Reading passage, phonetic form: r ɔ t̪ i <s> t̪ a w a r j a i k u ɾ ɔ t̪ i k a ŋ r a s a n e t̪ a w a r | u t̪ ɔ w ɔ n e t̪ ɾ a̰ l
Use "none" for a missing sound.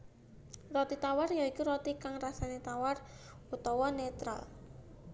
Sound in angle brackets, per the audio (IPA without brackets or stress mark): none